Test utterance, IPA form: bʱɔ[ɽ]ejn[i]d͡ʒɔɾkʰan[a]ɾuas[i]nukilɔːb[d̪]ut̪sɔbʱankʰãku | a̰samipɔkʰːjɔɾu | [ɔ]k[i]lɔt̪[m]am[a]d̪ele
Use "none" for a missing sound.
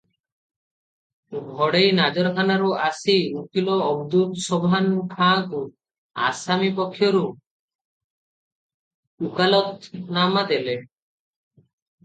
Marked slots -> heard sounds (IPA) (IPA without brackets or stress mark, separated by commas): ɽ, a, a, i, d̪, u, a, n, a